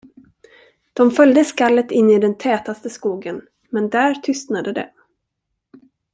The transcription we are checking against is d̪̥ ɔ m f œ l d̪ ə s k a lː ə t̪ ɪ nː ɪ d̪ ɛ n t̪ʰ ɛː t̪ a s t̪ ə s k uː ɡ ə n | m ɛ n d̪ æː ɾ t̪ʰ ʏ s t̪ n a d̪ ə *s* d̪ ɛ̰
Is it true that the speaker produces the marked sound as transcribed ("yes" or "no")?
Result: no